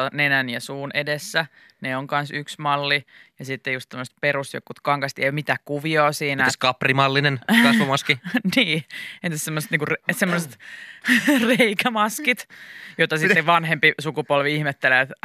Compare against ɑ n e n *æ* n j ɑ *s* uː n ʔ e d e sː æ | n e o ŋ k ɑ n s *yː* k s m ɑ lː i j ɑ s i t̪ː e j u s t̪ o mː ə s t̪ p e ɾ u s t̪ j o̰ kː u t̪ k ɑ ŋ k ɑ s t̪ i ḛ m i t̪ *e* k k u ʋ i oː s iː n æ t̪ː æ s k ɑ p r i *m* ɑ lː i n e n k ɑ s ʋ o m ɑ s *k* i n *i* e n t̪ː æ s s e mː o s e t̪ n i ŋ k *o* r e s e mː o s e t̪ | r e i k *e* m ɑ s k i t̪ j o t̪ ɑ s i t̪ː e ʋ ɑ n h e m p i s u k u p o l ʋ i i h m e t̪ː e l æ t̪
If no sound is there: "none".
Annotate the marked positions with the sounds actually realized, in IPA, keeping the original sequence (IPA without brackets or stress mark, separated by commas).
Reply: æ, s, y, æ, m, k, iː, u, æ